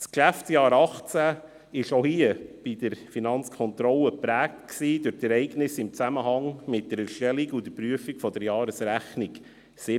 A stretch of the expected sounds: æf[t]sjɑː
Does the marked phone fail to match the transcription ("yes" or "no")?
no